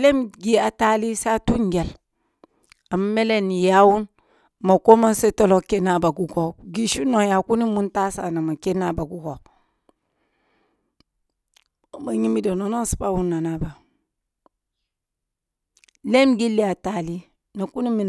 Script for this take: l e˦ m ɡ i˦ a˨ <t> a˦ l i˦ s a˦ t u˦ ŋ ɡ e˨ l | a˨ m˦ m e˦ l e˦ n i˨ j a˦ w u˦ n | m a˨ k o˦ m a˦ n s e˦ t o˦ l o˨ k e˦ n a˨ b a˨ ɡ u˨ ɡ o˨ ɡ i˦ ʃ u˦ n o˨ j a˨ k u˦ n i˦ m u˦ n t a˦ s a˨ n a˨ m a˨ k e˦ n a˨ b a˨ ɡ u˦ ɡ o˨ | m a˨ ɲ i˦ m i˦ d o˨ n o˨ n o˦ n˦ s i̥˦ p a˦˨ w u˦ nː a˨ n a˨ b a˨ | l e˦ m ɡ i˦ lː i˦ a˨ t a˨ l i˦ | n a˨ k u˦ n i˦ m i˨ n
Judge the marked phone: correct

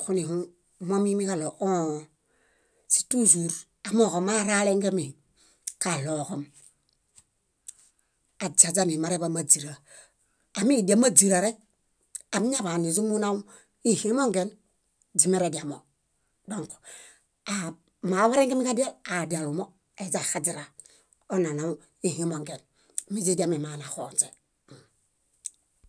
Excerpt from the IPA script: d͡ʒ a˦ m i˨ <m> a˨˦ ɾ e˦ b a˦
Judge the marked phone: correct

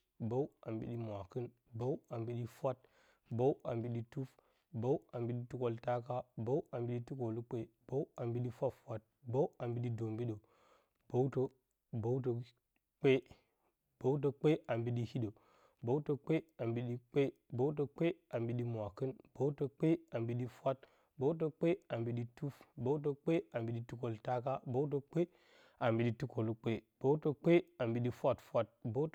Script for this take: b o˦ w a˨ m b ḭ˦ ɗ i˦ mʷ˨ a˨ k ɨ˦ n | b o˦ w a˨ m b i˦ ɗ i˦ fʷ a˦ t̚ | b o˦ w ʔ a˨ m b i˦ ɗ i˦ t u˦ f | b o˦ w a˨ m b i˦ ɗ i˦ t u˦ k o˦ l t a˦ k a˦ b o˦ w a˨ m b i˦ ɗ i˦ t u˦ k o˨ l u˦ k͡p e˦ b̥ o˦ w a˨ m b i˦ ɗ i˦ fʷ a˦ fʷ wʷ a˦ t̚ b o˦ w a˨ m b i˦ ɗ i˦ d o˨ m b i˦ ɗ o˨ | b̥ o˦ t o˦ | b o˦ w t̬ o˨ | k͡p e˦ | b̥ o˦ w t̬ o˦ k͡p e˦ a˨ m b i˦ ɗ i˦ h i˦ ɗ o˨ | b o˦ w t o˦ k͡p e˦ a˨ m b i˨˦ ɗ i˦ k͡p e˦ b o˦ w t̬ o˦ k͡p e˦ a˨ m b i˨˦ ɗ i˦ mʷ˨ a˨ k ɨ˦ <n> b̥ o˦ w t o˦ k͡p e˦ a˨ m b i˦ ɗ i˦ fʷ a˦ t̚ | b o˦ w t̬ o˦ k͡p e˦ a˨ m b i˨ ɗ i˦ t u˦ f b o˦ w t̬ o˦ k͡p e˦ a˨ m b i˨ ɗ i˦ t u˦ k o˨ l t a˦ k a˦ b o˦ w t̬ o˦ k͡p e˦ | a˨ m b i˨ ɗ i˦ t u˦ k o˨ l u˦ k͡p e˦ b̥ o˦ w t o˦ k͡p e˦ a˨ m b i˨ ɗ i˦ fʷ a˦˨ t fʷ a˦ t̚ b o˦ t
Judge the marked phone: correct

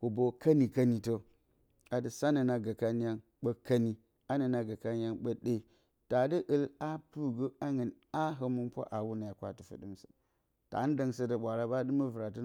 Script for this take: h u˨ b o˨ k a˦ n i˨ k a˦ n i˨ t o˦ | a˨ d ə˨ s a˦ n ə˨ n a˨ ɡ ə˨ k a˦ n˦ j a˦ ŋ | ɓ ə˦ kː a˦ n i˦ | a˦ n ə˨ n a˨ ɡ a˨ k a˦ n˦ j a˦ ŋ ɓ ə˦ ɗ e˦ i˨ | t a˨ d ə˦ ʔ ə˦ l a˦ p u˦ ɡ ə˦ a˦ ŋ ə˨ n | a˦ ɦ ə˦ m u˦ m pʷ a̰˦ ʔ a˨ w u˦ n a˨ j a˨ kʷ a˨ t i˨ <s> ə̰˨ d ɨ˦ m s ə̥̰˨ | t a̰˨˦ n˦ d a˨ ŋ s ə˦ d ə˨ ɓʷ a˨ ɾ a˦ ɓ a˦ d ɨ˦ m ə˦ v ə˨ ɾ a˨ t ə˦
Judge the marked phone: incorrect: f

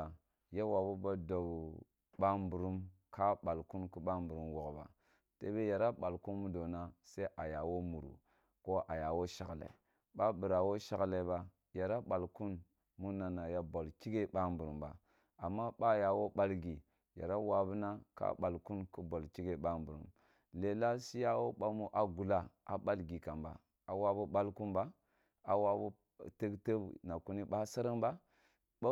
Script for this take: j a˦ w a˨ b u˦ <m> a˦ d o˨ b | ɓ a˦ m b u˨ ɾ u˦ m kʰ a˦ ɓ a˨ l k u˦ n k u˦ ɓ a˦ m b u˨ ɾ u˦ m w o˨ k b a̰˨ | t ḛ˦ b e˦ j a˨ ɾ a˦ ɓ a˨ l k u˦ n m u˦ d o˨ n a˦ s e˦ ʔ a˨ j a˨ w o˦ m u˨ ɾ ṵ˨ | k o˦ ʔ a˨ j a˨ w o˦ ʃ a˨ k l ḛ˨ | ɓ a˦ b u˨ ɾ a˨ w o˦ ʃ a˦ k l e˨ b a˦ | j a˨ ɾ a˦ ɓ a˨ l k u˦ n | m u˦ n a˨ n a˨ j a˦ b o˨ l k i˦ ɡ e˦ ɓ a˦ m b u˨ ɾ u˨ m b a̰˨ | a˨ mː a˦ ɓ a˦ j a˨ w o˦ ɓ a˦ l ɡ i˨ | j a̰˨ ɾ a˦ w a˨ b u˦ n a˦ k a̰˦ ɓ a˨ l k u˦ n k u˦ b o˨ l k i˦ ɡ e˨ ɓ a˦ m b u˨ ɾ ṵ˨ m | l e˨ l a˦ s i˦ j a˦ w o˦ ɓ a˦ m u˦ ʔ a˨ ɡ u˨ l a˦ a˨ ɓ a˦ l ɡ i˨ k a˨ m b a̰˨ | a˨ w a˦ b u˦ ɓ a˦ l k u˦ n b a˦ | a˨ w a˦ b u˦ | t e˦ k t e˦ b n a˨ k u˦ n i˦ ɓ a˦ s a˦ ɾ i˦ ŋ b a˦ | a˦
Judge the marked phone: incorrect: b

